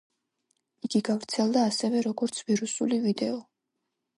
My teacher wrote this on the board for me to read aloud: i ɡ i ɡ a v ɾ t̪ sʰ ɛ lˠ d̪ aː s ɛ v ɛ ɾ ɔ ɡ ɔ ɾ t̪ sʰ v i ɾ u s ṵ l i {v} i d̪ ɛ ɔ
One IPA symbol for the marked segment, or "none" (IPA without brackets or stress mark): v